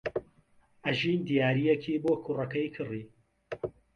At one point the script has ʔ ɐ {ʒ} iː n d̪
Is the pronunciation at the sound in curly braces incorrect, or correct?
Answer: correct